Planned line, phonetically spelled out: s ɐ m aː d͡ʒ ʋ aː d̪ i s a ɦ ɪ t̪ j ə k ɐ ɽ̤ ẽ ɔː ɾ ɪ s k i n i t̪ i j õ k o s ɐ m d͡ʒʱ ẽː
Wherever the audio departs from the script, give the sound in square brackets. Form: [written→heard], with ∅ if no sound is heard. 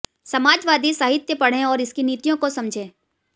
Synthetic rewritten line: s ɐ m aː d͡ʒ ʋ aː d̪ i s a ɦ ɪ t̪ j ə [k→p] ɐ ɽ̤ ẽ ɔː ɾ ɪ s k i n [i→iː] t̪ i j õ k o s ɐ m d͡ʒʱ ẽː

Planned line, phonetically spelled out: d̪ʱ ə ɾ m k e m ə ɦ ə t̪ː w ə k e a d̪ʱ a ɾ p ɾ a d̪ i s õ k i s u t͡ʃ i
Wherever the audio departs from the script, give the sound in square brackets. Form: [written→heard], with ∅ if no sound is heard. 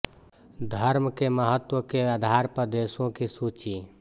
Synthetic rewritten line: d̪ʱ ə ɾ m k e m ə ɦ ə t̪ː w ə k e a d̪ʱ a ɾ p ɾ [a→ə] d̪ [i→e] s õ k i s u t͡ʃ i

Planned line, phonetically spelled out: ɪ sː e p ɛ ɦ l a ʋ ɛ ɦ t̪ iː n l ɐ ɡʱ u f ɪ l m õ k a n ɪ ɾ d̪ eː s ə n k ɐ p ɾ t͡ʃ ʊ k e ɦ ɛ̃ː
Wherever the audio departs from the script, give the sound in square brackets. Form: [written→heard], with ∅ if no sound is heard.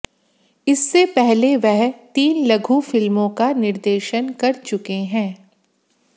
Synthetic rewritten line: ɪ sː e p ɛ ɦ l [a→e] ʋ ɛ ɦ t̪ iː n l ɐ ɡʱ u f ɪ l m õ k a n ɪ ɾ d̪ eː [s→ʃ] ə n k ɐ [p→∅] ɾ t͡ʃ ʊ k e ɦ ɛ̃ː

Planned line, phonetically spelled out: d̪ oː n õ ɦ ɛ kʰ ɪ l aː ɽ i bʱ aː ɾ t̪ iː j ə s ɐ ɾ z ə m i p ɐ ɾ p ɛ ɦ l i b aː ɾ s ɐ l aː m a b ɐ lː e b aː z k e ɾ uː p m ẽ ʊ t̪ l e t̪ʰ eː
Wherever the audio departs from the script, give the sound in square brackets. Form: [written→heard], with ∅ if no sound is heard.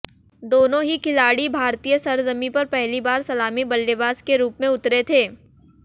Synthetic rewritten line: d̪ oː n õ ɦ [ɛ→i] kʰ ɪ l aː ɽ i bʱ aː ɾ t̪ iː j ə s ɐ ɾ z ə m i p ɐ ɾ p ɛ ɦ l i b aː ɾ s ɐ l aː m [a→i] b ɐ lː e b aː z k e ɾ uː p m ẽ ʊ t̪ [l→ɾ] e t̪ʰ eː

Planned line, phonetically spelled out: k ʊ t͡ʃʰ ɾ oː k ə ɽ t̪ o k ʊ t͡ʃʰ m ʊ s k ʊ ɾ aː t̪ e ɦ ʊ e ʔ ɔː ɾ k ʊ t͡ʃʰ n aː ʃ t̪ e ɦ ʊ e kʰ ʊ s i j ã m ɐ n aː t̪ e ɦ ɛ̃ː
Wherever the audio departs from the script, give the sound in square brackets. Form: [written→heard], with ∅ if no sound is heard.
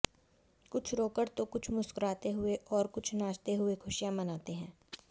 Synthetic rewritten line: k ʊ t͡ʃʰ ɾ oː k ə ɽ t̪ o k ʊ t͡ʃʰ m ʊ s k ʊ ɾ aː t̪ e ɦ ʊ e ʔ ɔː ɾ k ʊ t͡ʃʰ n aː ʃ t̪ e ɦ ʊ e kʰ ʊ [s→ʃ] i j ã m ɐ n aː t̪ e ɦ ɛ̃ː

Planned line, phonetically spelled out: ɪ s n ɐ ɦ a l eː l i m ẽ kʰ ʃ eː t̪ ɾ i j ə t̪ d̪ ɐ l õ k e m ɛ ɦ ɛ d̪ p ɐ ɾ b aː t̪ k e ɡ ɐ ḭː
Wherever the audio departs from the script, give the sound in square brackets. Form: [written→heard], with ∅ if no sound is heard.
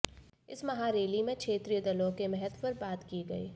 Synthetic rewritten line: ɪ s [n→m] ɐ ɦ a [l→ɾ] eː l i m ẽ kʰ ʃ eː t̪ ɾ i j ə [t̪→∅] d̪ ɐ l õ k e m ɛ ɦ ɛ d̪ p ɐ ɾ b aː t̪ k [e→i] ɡ ɐ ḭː

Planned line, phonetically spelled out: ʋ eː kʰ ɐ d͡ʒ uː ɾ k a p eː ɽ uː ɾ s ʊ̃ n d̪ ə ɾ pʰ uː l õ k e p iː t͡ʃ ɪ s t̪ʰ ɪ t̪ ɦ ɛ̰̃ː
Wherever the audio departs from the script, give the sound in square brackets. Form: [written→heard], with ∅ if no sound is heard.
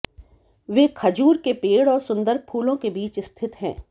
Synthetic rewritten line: ʋ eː kʰ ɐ d͡ʒ uː ɾ k [a→e] p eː ɽ [uː→ɔː] ɾ s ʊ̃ n d̪ ə ɾ pʰ uː l õ k e [p→b] iː t͡ʃ ɪ s t̪ʰ ɪ t̪ ɦ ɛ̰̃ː

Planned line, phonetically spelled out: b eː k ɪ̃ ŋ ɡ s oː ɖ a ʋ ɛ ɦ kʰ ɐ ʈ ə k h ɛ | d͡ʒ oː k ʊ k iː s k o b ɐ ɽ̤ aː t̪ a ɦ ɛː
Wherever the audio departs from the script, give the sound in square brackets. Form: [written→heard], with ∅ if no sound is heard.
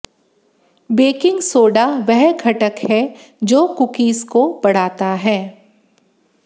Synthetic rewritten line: b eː k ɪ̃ ŋ ɡ s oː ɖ a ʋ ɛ ɦ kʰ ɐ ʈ ə k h ɛ | d͡ʒ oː k ʊ k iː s k o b ɐ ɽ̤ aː t̪ a ɦ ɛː

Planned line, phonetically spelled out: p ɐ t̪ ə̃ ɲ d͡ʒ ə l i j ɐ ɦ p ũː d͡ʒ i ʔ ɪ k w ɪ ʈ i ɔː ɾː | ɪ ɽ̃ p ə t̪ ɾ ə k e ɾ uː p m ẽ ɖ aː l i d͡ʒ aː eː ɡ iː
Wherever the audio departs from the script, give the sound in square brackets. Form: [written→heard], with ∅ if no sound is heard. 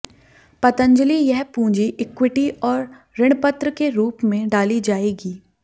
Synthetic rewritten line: p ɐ t̪ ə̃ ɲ d͡ʒ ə l i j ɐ ɦ p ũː d͡ʒ i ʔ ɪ k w ɪ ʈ i ɔː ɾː | ɪ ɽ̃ p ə t̪ ɾ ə k e ɾ uː p m ẽ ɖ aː l i d͡ʒ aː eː ɡ iː

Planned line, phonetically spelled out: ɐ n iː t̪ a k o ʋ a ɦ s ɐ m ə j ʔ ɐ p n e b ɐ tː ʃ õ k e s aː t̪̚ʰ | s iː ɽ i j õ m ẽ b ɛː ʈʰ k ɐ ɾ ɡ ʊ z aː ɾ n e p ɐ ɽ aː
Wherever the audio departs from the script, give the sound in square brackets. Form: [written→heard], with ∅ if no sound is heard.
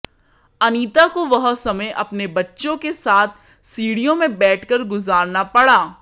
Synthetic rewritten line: ɐ n iː t̪ a k o ʋ [a→ɐ] ɦ s ɐ m ə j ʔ ɐ p n e b ɐ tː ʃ õ k e s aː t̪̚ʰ | s iː ɽ i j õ m ẽ b ɛː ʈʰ k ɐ ɾ ɡ ʊ z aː ɾ n [e→a] p ɐ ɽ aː

